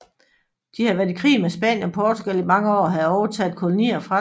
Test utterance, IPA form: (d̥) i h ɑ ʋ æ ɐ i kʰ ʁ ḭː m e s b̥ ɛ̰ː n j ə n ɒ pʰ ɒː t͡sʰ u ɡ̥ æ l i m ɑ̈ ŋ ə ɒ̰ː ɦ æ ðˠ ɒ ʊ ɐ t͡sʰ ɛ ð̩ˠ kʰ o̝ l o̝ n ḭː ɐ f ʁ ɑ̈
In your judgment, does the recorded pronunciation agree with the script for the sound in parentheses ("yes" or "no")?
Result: yes